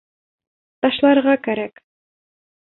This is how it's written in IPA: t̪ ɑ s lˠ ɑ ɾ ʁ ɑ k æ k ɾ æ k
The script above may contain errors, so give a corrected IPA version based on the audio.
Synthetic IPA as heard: t̪ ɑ ʃ lˠ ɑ ɾ ʁ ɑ k æ ɾ æ k